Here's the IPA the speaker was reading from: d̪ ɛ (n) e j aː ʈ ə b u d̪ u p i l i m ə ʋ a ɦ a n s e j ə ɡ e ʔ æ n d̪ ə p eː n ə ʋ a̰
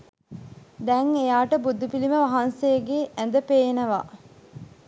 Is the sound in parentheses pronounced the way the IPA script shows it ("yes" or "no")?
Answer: no